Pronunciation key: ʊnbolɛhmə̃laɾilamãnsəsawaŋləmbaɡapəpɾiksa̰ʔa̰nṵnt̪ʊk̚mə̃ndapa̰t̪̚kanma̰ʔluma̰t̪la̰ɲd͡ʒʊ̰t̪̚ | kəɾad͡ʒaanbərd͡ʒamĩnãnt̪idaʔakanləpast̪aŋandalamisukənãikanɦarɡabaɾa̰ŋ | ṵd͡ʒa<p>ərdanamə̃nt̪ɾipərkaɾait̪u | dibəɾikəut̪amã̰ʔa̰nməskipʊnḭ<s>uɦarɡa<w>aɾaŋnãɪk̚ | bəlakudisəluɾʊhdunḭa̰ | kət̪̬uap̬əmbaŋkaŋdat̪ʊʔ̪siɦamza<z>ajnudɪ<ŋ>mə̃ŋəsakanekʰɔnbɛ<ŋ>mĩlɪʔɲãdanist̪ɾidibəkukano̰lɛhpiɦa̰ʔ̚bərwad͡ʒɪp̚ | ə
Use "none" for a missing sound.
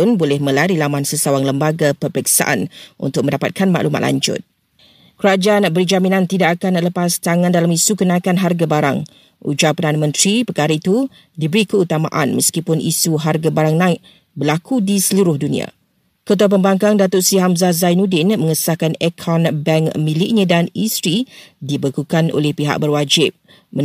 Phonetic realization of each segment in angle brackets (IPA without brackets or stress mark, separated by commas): p, s, b, z, n, ŋ